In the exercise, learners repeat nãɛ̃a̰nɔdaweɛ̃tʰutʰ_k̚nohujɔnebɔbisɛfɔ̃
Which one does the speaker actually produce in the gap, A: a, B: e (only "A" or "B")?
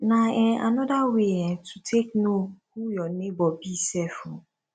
B